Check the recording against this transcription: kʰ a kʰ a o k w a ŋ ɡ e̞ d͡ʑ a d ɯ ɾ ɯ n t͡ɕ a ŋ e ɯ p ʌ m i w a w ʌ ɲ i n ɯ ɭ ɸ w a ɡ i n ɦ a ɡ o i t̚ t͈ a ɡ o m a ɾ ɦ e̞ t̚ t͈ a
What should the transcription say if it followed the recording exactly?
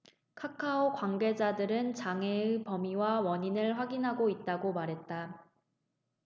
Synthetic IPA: kʰ a kʰ a o k w a ŋ ɡ e̞ d͡ʑ a d ɯ ɾ ɯ n t͡ɕ a ŋ e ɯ p ʌ m i w a w ʌ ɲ i n ɯ ɭ ɸ w a ɡ i n ɦ a ɡ o i t̚ t͈ a ɡ o m a ɾ ɦ e̞ t̚ t͈ a